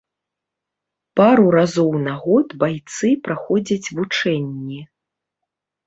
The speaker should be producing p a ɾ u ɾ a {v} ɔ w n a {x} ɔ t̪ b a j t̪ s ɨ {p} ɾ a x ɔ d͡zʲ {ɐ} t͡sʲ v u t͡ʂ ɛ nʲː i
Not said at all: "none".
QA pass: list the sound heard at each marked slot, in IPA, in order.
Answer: z, ɣ, p, ɐ

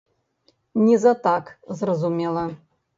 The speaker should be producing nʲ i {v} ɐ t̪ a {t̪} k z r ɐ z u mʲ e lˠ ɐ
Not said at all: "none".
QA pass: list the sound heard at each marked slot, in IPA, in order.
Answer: z, none

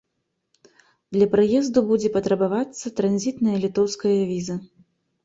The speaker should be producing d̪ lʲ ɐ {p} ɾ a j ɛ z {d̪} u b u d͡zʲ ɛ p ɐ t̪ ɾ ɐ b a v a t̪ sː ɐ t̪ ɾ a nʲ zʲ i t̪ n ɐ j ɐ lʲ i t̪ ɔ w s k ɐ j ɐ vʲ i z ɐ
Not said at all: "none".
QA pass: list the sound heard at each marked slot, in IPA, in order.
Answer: p, d̪

